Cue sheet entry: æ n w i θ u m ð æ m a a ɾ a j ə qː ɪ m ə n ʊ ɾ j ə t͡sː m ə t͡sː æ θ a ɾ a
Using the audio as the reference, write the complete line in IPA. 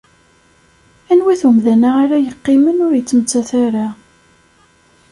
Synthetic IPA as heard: æ n w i θ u m ð æ n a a ɾ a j ə qː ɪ m ə n ʊ ɾ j ə t͡sː m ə t͡sː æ θ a ɾ a